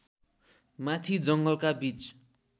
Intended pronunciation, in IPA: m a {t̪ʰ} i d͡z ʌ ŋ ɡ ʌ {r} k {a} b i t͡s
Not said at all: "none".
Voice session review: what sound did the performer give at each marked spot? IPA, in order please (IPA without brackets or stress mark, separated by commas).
t̪ʰ, l, a